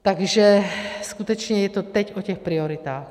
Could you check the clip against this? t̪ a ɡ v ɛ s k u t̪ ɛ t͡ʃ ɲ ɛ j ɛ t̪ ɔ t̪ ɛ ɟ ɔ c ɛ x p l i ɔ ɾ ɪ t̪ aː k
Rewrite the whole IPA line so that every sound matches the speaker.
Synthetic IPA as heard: t̪ a ɡ ʒ ɛ s k u t̪ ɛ t͡ʃ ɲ ɛ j ɛ t̪ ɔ t̪ ɛ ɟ ɔ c ɛ x p ɾ i ɔ ɾ i t̪ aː x